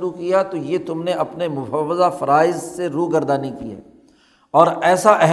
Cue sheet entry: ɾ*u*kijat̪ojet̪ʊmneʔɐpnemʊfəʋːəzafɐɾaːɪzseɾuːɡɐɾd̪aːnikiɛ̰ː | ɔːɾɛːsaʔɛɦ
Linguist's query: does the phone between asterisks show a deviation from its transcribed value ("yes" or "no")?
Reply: no